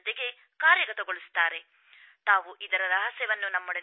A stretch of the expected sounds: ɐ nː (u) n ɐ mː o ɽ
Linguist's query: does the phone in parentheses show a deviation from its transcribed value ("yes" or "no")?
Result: no